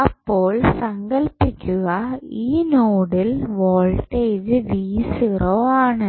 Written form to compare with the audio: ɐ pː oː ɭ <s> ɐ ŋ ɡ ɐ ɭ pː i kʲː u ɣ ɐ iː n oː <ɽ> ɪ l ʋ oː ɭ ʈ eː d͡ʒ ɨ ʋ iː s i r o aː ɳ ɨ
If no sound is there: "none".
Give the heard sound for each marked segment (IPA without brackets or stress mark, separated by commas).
s, ɽ